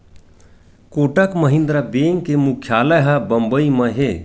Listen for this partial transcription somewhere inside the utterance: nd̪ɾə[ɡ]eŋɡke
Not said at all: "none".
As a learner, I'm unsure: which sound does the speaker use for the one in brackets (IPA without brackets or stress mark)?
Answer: b